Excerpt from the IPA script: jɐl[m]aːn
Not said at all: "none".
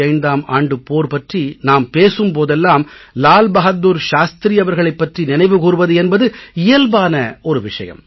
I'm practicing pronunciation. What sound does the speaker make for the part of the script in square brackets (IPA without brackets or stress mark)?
b